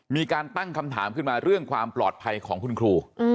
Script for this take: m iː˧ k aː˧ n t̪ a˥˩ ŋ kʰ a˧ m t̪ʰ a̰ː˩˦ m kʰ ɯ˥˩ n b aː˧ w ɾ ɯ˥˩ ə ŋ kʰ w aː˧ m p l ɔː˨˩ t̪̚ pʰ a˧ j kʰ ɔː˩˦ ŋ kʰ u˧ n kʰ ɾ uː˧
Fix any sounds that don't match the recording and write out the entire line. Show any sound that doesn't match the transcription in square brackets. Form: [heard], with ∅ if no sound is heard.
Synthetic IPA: m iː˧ k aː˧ n t̪ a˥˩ ŋ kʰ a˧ m t̪ʰ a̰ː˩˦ m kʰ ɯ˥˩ n [m] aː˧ [∅] ɾ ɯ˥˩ ə ŋ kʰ w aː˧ m p l ɔː˨˩ t̪̚ pʰ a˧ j kʰ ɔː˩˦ ŋ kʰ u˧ n kʰ ɾ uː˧